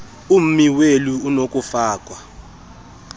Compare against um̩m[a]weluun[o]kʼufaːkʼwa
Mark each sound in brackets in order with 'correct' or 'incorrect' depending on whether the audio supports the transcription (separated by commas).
incorrect, correct